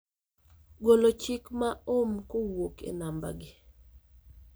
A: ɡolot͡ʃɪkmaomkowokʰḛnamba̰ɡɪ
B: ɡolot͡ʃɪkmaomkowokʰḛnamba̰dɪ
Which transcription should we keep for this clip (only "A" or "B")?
A